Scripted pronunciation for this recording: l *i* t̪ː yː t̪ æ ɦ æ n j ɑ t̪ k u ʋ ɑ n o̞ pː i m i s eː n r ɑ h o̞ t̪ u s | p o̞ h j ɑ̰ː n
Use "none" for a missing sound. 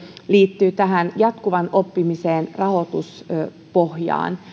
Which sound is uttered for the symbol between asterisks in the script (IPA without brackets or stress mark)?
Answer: iː